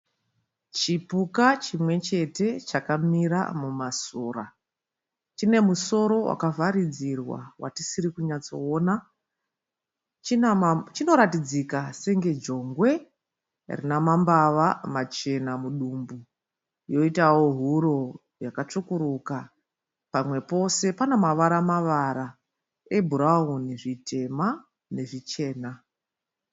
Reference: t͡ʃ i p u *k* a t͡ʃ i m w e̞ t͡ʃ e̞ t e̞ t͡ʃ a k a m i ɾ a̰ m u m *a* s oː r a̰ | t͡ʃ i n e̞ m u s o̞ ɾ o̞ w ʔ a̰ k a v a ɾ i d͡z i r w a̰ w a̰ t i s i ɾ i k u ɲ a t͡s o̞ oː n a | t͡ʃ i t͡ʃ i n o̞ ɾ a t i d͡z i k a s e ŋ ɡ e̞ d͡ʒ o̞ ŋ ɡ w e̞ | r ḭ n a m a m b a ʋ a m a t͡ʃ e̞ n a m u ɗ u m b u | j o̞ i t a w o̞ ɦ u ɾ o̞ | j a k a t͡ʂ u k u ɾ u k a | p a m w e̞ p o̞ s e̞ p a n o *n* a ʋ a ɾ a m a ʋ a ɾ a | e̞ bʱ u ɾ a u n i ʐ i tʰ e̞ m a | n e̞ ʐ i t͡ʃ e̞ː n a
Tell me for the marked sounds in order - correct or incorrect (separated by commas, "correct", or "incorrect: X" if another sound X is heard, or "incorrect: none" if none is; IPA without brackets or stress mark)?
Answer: correct, correct, incorrect: m